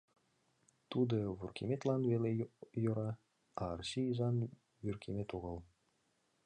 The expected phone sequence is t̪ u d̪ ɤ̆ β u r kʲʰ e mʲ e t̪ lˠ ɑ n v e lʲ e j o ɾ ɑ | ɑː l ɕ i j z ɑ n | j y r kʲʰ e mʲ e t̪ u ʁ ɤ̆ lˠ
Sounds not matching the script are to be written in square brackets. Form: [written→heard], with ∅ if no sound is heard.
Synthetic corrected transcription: t̪ u d̪ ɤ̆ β u r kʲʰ e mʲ e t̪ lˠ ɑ n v e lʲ e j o ɾ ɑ | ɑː [l→r] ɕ i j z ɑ n | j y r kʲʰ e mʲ e t̪ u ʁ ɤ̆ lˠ